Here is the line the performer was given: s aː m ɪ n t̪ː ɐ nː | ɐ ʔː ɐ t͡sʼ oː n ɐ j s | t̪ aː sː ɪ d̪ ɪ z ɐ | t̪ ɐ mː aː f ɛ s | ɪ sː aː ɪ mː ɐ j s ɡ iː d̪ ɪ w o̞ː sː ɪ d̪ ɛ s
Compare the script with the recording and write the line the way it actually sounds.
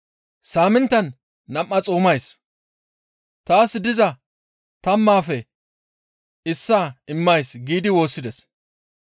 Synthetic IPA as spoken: s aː m ɪ n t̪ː ɐ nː | ɐ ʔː ɐ t͡sʼ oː m ɐ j s | t̪ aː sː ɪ d̪ ɪ z ɐ | t̪ ɐ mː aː f ɛ | ɪ sː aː ɪ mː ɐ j s ɡ iː d̪ ɪ w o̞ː sː ɪ d̪ ɛ s